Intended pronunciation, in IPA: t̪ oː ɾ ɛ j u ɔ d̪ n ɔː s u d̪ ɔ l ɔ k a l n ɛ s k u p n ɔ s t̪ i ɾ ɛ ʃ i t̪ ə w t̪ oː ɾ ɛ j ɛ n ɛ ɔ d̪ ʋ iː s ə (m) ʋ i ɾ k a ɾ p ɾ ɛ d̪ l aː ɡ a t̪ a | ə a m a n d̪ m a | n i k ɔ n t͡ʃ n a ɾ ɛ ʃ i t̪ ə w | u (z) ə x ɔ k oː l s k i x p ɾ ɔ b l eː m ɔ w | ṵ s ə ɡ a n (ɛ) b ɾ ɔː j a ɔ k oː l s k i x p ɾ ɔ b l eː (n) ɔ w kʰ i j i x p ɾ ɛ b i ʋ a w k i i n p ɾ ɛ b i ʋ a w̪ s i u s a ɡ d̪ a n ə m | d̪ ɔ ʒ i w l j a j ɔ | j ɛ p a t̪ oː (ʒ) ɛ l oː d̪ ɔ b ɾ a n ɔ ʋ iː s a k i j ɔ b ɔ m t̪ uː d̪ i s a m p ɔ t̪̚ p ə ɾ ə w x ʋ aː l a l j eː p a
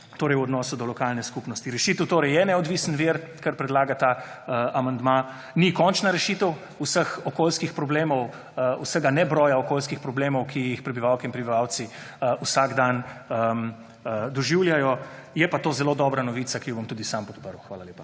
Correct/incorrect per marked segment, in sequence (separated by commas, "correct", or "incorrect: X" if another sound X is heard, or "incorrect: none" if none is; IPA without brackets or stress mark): incorrect: n, incorrect: s, correct, incorrect: m, incorrect: z